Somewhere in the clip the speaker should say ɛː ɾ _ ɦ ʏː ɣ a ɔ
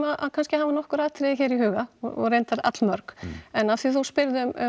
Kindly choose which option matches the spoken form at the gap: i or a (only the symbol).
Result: i